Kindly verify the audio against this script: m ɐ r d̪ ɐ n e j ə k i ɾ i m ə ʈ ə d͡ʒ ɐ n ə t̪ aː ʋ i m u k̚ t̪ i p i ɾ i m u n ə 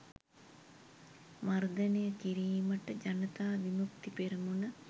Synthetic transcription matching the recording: m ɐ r d̪ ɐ n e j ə k i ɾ iː m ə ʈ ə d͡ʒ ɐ n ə t̪ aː ʋ i m u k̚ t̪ i p e ɾ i m u n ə

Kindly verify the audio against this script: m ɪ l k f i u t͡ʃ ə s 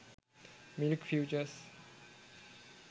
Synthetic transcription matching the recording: m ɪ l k f j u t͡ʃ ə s

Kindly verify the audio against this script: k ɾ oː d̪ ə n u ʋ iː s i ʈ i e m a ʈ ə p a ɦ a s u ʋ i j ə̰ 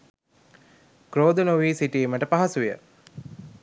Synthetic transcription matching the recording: k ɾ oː d̪ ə n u ʋ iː s i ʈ i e m ə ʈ ə p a ɦ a s u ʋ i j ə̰

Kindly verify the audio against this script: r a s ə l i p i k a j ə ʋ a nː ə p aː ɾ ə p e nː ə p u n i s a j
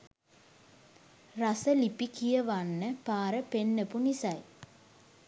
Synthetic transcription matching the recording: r a s ə l i p i k i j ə ʋ a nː ə p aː ɾ ə p e nː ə p u n i s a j

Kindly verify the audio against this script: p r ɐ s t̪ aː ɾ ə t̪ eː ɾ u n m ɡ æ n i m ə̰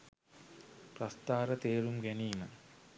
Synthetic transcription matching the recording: p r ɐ s t̪ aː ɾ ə t̪ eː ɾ u m ɡ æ n iː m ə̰

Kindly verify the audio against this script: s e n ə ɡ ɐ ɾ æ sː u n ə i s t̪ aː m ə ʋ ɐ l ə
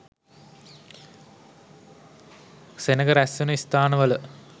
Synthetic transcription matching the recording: s e n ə ɡ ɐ ɾ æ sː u n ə i s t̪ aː n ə ʋ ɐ l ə

